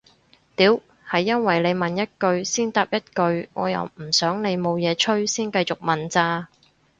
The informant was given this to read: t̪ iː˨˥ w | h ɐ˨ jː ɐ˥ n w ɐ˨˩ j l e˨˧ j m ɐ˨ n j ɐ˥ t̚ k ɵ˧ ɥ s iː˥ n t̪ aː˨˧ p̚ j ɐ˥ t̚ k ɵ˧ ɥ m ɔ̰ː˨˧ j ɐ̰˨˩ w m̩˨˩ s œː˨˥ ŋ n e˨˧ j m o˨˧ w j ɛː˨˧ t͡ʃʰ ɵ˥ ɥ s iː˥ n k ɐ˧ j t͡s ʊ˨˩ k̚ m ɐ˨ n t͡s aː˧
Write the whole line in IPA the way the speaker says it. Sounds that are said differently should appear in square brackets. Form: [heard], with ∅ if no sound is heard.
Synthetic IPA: t̪ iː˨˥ w | h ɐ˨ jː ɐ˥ n w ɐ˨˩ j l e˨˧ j m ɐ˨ n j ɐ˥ t̚ k ɵ˧ ɥ s iː˥ n t̪ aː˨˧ p̚ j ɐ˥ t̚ k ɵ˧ ɥ [ŋ] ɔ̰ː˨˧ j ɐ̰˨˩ w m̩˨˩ s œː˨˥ ŋ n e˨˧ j m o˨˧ w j ɛː˨˧ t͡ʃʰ ɵ˥ ɥ s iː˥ n k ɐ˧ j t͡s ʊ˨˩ k̚ m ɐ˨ n t͡s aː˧

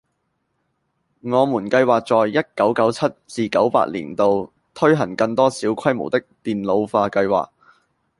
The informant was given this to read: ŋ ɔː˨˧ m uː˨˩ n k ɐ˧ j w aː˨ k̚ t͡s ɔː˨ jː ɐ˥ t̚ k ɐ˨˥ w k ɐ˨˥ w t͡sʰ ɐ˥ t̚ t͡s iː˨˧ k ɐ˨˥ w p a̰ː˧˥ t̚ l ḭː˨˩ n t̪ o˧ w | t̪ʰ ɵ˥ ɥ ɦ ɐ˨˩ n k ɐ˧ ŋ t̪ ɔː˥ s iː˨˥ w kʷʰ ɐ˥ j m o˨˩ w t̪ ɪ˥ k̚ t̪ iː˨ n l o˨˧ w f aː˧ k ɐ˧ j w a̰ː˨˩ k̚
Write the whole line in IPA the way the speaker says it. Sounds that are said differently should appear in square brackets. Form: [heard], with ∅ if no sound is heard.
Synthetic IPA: ŋ ɔː˨˧ m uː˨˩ n k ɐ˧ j w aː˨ k̚ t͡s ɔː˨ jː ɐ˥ t̚ k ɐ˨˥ w k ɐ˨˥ w t͡sʰ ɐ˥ t̚ t͡s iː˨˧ k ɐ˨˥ w p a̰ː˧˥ t̚ l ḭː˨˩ n t̪ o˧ w | t̪ʰ ɵ˥ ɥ ɦ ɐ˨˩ [ŋ] k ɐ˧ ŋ t̪ ɔː˥ s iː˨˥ w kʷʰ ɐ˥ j m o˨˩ w t̪ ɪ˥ k̚ t̪ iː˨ n l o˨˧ w f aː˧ k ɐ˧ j w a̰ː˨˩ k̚

